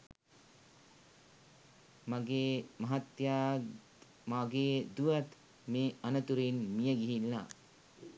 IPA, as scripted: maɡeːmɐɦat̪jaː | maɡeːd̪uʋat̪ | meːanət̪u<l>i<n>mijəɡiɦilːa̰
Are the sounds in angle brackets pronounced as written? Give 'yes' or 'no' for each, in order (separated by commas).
no, yes